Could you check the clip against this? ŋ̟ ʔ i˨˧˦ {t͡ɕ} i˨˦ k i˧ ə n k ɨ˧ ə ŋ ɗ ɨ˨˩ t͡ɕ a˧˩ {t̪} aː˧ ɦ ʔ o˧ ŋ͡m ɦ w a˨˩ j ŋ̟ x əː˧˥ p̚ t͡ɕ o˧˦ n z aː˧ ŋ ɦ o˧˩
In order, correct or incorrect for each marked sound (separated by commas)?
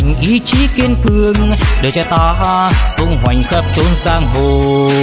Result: correct, correct